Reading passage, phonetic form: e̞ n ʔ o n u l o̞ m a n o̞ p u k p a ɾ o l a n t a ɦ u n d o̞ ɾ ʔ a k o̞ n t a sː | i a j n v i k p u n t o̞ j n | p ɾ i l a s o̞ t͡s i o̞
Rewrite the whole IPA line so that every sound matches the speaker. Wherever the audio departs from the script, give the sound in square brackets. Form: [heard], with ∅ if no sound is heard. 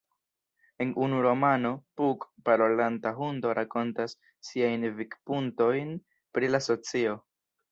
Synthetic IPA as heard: e̞ n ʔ [u] n u [ɾ] o̞ m a n o̞ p u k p a ɾ o l a n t a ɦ u n d o̞ ɾ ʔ a k o̞ n t a sː | i a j n v i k p u n t o̞ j n | p ɾ i l a s o̞ t͡s i o̞